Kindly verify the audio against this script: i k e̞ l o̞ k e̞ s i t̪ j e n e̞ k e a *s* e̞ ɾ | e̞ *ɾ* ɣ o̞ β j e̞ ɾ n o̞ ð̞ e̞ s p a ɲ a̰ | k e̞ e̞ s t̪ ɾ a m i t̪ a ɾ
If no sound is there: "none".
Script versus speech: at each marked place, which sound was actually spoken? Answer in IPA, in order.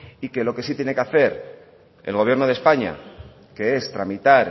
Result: θ, l

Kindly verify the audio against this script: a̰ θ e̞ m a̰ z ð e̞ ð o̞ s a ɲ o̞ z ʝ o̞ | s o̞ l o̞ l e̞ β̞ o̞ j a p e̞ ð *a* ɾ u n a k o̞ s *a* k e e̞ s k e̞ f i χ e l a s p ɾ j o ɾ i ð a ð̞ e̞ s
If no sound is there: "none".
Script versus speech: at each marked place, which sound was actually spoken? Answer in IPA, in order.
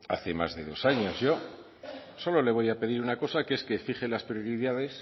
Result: i, a

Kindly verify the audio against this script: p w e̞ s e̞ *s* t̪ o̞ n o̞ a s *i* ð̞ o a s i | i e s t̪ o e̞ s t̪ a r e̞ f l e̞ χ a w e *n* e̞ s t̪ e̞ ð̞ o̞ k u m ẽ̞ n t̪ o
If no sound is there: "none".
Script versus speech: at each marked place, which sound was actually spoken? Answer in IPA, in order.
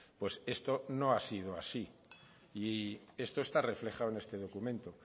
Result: s, i, n

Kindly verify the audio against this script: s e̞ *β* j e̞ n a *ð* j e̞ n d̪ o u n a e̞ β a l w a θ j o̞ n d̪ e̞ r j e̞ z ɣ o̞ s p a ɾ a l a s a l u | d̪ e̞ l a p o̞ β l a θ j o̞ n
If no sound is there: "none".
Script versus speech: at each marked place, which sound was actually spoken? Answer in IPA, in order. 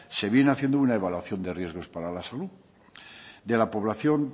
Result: β, θ

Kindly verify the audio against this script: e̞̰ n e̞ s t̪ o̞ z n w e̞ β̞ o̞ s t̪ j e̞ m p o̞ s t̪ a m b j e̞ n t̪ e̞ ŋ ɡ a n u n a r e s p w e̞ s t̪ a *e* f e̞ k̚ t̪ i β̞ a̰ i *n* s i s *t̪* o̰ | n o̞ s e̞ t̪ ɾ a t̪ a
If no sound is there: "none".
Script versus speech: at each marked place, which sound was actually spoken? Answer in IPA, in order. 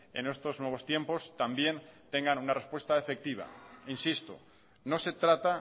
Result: e, n, t̪

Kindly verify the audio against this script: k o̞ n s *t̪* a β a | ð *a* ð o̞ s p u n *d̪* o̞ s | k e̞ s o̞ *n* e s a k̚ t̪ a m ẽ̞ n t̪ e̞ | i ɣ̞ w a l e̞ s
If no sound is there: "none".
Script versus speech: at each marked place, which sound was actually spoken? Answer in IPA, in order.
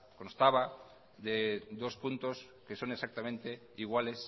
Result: t̪, e, t̪, n

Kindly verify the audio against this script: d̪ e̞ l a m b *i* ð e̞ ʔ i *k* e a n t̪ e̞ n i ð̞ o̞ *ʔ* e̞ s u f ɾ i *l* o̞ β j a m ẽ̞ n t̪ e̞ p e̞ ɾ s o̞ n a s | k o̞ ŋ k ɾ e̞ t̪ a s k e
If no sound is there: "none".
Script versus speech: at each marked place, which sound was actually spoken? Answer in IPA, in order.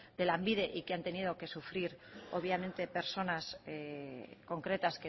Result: i, k, k, ɾ

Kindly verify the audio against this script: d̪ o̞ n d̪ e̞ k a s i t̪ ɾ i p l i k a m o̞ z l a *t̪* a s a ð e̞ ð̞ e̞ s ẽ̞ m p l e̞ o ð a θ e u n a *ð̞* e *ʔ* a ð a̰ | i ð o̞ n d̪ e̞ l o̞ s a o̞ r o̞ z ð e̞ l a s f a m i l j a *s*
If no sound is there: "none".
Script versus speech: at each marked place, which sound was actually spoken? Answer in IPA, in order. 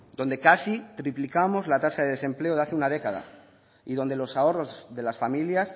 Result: t̪, ð̞, k, s

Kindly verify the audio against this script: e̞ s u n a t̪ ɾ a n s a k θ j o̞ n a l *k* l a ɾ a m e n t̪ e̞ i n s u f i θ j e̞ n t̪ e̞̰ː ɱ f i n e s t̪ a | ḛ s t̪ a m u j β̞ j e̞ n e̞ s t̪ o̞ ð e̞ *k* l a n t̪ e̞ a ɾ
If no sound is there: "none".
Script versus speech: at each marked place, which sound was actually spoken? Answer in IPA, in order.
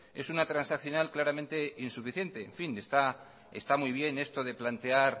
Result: k, p

